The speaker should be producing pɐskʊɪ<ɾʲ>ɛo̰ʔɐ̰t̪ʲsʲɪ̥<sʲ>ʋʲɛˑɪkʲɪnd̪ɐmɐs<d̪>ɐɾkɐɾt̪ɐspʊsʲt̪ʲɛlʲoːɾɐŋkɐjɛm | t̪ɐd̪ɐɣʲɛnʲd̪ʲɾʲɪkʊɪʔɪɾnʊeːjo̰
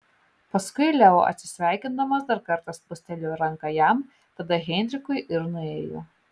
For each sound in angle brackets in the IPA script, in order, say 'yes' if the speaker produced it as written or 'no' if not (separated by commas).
no, yes, yes